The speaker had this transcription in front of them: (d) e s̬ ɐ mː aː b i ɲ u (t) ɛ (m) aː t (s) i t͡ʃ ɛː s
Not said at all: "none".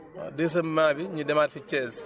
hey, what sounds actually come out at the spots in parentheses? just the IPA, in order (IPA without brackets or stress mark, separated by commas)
d, d, m, f